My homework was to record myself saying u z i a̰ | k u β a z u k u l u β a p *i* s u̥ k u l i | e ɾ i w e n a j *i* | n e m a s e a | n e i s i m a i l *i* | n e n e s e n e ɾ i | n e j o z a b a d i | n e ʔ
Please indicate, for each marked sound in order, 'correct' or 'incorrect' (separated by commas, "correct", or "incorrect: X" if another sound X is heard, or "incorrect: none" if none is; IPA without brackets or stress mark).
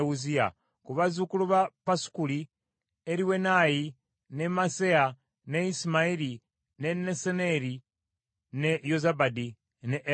incorrect: a, correct, correct